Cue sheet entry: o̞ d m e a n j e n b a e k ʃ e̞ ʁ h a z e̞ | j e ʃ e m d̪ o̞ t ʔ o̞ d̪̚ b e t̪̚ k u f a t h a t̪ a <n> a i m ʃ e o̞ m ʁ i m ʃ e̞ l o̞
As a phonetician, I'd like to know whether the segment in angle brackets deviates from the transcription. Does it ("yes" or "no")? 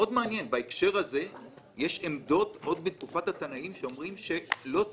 no